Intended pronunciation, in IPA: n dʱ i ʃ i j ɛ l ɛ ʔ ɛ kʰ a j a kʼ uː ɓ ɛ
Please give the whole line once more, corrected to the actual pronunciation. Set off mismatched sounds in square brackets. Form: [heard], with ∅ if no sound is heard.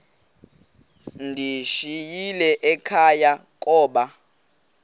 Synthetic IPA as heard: n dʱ i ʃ i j [i] l ɛ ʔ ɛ kʰ a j a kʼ [ɔː] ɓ [a]